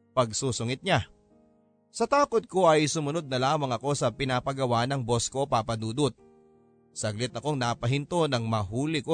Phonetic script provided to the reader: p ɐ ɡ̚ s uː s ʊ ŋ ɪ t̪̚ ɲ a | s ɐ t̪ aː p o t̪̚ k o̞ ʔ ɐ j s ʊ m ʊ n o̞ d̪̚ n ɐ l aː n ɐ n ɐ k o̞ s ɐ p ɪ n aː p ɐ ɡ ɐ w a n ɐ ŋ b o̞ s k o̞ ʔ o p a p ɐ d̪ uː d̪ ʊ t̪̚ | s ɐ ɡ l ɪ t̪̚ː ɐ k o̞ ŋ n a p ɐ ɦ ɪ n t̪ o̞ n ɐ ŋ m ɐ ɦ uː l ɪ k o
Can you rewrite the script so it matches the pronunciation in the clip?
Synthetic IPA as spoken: p ɐ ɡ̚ s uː s ʊ ŋ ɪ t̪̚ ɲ a | s ɐ t̪ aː k o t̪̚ k o̞ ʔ ɐ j s ʊ m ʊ n o̞ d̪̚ n ɐ l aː m ɐ ŋ ɐ k o̞ s ɐ p ɪ n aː p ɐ ɡ ɐ w a n ɐ ŋ b o̞ s k o̞ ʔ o p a p ɐ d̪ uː d̪ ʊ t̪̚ | s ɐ ɡ l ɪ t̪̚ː ɐ k o̞ ŋ n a p ɐ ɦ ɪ n t̪ o̞ n ɐ ŋ m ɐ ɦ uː l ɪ k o